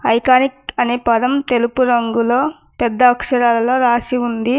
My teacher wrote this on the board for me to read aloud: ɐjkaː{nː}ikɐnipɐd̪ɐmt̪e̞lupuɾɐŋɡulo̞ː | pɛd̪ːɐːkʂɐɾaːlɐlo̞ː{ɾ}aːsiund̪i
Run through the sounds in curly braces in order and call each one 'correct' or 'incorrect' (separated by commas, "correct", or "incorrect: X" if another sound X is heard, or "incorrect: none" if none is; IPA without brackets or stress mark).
incorrect: n, correct